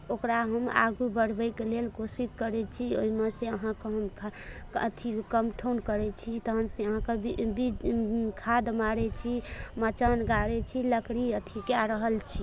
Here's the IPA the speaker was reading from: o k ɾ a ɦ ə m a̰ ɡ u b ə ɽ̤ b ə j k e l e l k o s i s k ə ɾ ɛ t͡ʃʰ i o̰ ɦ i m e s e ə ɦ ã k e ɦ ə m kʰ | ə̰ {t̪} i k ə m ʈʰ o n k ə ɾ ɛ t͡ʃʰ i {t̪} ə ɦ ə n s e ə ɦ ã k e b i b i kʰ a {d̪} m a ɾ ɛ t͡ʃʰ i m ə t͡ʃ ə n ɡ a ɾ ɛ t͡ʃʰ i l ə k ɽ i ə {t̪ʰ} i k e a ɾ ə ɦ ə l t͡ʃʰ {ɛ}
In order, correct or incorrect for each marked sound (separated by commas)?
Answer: incorrect, correct, correct, correct, incorrect